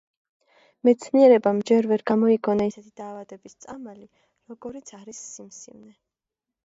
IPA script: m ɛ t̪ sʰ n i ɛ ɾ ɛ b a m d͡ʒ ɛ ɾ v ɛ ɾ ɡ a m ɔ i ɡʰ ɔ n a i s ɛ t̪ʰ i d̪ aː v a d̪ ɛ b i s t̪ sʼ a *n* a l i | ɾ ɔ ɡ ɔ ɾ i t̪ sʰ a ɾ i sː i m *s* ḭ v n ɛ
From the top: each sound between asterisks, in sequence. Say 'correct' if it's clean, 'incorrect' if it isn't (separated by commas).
incorrect, correct